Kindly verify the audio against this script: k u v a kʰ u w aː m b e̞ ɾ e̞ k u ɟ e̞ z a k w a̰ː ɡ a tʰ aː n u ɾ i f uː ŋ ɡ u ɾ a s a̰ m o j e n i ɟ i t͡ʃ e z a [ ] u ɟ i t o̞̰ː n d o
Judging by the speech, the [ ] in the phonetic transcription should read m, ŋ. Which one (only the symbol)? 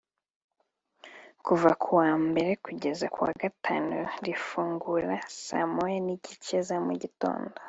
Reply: m